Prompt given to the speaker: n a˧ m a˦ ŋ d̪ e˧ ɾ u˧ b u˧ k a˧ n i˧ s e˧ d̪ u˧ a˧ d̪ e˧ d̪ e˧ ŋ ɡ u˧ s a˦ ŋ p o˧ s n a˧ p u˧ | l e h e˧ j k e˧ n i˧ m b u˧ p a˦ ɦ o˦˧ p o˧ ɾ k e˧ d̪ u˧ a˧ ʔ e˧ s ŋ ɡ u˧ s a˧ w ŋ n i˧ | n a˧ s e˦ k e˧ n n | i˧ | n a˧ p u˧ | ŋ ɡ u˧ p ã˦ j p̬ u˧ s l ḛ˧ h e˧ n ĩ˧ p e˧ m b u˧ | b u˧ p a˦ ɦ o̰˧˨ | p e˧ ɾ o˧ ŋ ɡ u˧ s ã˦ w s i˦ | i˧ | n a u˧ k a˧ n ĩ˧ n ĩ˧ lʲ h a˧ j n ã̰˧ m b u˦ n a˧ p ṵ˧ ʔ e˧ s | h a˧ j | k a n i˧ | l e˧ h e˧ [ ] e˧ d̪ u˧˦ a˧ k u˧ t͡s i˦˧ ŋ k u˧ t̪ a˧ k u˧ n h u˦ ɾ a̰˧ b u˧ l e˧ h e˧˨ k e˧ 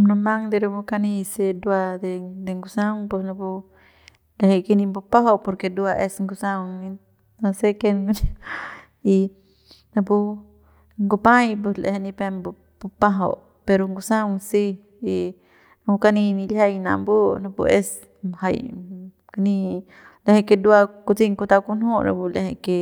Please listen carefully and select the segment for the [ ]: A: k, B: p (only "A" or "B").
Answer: A